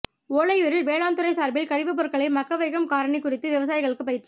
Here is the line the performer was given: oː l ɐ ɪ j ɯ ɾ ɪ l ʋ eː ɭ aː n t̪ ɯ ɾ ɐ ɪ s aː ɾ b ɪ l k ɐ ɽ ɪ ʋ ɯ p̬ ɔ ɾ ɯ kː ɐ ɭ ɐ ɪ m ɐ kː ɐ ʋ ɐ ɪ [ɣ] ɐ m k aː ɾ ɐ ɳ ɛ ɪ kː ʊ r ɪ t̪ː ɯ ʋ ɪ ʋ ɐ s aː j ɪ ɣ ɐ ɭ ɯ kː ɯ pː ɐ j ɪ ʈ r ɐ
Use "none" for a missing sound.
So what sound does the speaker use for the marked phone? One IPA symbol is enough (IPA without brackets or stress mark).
ɣ